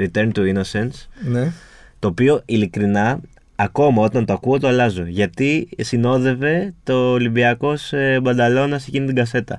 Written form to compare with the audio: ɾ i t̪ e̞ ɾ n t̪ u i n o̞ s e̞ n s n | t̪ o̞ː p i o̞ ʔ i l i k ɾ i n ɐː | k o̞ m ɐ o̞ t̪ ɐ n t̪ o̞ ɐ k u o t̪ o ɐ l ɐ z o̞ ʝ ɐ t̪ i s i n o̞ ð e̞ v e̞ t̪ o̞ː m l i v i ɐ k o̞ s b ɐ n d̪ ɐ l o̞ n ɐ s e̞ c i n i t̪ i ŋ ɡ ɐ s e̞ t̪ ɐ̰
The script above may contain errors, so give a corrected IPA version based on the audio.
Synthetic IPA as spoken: ɾ i t̪ e̞ ɾ n t̪ u i n o̞ s e̞ n s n | t̪ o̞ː p i o̞ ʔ i l i k ɾ i n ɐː | k o̞ m ɐ o̞ t̪ ɐ n t̪ o̞ ɐ k u o t̪ o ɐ l ɐ z o̞ ʝ ɐ t̪ i s i n o̞ ð e̞ v e̞ t̪ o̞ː l i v i ɐ k o̞ s b ɐ n d̪ ɐ l o̞ n ɐ s e̞ c i n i t̪ i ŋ ɡ ɐ s e̞ t̪ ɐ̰